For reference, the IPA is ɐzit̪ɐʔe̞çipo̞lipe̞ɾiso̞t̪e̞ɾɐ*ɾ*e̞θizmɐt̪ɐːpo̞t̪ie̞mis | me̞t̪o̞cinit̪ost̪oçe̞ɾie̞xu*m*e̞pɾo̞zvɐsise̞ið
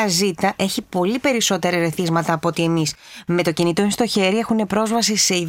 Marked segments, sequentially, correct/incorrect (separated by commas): correct, incorrect